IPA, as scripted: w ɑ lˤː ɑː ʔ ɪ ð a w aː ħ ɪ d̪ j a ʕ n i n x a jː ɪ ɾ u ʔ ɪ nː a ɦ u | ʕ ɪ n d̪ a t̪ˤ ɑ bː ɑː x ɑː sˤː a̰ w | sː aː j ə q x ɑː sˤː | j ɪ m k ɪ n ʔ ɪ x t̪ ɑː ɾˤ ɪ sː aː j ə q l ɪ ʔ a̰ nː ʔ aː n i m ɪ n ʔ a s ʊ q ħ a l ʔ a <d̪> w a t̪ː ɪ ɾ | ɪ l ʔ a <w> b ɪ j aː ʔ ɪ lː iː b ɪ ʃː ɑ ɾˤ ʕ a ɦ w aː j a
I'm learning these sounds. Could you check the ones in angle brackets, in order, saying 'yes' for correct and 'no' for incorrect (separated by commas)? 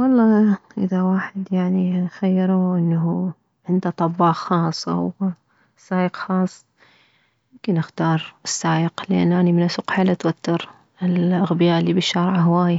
no, no